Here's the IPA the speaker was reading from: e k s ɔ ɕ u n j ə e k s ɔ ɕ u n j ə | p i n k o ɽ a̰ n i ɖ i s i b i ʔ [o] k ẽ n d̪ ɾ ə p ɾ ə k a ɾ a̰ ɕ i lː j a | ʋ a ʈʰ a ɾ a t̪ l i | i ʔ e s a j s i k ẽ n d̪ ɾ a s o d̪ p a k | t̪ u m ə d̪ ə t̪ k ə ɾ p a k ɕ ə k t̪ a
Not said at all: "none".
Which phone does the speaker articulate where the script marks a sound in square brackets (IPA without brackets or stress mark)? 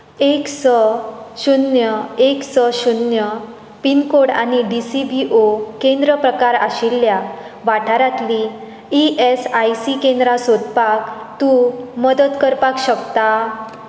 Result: o